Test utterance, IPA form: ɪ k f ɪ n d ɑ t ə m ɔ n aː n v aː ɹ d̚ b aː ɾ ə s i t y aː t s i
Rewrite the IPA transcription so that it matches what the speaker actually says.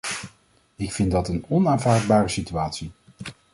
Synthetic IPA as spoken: ɪ k f ɪ n d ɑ t ə n ɔ n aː n v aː ɹ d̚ b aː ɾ ə s i t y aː t s i